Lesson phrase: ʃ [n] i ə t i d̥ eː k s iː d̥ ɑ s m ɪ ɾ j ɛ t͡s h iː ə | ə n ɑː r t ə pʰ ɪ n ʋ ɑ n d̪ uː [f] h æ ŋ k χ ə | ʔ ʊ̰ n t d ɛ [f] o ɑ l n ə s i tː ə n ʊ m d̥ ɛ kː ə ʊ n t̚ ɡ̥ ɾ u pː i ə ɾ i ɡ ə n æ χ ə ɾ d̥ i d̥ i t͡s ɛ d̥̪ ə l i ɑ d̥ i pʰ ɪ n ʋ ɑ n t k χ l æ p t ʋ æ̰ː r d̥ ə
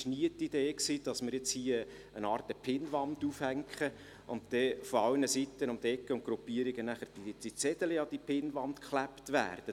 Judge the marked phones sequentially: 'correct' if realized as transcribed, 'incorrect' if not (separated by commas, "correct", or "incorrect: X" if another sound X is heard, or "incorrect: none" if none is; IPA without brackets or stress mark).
correct, correct, correct